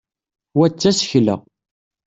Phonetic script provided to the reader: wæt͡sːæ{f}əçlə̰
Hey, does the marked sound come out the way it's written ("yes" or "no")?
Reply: no